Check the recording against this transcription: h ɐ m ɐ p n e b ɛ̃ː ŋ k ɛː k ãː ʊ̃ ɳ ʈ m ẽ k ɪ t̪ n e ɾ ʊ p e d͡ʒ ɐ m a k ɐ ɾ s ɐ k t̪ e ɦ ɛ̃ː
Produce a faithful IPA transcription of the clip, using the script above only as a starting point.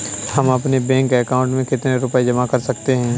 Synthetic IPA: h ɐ m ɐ p n e b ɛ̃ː ŋ k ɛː k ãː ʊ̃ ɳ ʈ m ẽ k ɪ t̪ n e ɾ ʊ p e d͡ʒ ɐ m a k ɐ ɾ s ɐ k t̪ e ɦ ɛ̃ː